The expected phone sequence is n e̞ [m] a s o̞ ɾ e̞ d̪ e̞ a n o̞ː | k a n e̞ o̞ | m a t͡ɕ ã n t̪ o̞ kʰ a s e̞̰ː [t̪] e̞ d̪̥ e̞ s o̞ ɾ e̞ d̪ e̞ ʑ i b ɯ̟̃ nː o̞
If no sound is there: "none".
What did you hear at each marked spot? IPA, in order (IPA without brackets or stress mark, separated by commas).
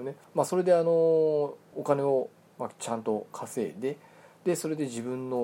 m, d̪